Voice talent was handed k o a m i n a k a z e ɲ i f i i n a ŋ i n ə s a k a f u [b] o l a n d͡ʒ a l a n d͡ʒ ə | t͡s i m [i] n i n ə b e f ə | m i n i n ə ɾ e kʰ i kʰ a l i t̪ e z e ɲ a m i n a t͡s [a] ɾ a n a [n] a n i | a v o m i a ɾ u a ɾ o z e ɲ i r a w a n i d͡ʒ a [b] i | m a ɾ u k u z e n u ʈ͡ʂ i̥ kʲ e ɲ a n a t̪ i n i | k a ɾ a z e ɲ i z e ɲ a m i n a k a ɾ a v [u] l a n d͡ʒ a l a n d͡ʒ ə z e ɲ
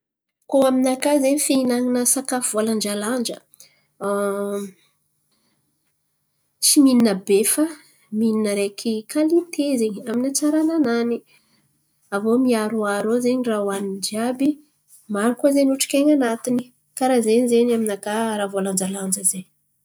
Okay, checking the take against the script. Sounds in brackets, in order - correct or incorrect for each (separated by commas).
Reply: incorrect, correct, correct, correct, correct, incorrect